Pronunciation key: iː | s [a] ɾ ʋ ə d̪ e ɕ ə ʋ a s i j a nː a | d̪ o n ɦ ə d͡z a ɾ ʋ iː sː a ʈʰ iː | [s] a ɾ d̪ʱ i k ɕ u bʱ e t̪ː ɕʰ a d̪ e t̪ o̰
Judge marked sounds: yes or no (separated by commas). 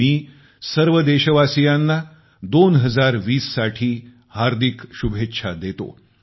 no, no